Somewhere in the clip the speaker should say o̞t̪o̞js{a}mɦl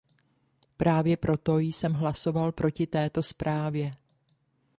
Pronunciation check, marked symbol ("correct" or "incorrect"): incorrect